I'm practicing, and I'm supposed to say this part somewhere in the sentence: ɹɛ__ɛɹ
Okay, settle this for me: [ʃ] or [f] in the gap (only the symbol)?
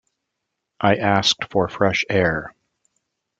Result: ʃ